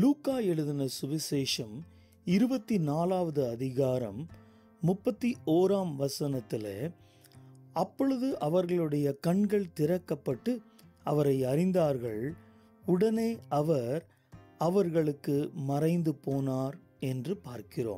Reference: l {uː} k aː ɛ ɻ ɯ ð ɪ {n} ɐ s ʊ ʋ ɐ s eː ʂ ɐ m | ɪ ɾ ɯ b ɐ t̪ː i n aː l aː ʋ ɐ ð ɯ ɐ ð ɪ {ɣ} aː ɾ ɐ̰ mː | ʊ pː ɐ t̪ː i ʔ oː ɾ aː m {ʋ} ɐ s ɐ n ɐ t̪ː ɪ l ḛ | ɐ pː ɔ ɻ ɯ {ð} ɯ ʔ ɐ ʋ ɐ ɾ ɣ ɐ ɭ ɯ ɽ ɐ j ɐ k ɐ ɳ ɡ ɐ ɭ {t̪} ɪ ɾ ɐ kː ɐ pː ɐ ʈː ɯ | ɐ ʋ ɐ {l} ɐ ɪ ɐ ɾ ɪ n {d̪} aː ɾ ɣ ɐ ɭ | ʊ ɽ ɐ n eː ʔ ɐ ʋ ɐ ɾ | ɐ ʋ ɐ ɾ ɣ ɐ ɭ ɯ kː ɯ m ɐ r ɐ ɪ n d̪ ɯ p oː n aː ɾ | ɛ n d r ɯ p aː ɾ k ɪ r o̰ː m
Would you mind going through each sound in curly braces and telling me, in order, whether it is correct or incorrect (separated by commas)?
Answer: correct, correct, correct, correct, correct, correct, incorrect, correct